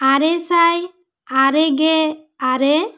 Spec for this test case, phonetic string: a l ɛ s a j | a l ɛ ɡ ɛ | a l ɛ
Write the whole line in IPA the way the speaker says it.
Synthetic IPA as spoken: a ɾ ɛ s a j | a ɾ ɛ ɡ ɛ | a ɾ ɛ

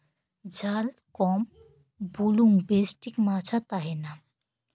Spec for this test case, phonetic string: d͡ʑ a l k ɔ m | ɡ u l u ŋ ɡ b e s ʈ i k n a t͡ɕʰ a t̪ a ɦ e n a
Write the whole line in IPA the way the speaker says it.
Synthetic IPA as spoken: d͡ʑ a l k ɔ m | b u l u ŋ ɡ b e s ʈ i k m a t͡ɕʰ a t̪ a ɦ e n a

